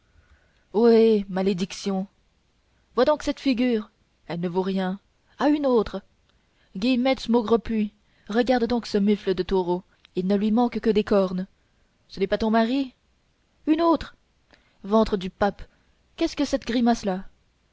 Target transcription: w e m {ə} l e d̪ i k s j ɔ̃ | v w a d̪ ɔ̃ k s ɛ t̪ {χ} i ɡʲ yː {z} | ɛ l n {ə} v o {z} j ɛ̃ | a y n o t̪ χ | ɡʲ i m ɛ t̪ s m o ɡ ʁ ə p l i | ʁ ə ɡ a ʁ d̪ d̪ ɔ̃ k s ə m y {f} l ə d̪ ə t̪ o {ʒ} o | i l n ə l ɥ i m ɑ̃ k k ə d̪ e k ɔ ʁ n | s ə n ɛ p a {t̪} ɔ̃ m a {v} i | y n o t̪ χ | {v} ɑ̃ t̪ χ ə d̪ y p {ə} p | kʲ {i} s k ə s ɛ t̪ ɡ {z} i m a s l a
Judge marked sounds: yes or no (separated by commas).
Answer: no, no, no, yes, no, yes, no, yes, no, yes, no, no, no